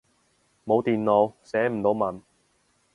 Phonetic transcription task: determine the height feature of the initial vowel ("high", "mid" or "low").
mid